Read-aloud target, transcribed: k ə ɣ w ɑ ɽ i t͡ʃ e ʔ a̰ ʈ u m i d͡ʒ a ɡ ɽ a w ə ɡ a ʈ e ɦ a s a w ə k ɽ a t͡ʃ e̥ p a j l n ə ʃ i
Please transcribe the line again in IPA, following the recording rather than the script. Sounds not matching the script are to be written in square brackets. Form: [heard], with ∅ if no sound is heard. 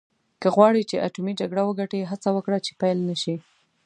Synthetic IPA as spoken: k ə ɣ w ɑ ɽ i t͡ʃ e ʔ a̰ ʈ u m i d͡ʒ a ɡ ɽ a w ə ɡ a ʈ e ɦ a [t͡s] a w ə k ɽ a t͡ʃ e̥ p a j l n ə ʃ i